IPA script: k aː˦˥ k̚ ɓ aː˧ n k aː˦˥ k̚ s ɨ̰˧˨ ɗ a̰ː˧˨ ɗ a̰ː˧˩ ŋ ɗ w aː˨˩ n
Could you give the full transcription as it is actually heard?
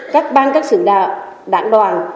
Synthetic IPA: k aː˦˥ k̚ ɓ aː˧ n k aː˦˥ k̚ s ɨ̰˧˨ ɗ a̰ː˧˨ ɗ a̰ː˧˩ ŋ ɗ w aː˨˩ n